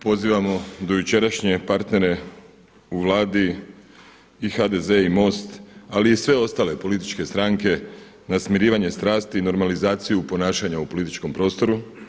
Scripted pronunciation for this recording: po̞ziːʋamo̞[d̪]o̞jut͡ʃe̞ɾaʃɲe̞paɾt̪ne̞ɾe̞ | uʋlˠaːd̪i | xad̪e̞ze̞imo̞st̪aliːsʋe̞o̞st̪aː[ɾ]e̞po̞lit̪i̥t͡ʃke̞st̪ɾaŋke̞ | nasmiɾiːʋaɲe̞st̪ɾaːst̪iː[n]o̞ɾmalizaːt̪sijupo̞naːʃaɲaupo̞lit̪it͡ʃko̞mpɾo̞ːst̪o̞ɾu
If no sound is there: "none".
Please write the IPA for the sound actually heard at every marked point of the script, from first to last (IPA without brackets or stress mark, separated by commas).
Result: d̪, l, n